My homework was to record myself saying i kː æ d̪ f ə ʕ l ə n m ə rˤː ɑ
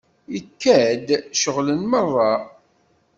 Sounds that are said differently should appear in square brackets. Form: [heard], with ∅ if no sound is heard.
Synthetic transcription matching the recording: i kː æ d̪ [ʃ] ə [ʁ] l ə n m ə rˤː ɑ